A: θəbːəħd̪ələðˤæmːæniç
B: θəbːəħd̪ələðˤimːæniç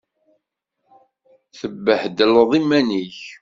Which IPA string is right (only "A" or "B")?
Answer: B